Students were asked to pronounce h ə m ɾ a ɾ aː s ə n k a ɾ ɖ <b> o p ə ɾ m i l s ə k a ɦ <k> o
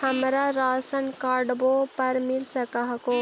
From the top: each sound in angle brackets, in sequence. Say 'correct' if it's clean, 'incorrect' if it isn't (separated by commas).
correct, correct